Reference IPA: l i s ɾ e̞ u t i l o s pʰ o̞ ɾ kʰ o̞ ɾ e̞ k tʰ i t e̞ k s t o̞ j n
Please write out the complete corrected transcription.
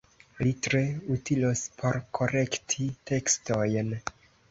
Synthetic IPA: l i t ɾ e̞ u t i l o s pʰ o̞ ɾ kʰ o̞ ɾ e̞ k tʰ i t e̞ k s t o̞ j n